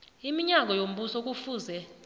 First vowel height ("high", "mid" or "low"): high